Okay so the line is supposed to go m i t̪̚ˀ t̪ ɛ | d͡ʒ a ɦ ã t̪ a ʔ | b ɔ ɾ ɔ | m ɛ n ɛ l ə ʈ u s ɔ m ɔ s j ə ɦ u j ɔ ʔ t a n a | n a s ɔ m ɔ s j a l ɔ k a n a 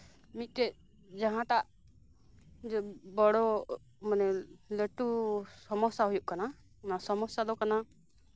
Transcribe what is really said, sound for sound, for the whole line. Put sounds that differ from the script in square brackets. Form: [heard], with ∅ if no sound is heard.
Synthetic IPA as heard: m i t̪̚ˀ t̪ ɛ | d͡ʒ a ɦ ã t̪ a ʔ | b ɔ [ɽ] ɔ | m [a] n ɛ l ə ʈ u s ɔ m ɔ s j [a] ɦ u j [u] ʔ [k] a n a | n a s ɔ m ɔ s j a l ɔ k a n a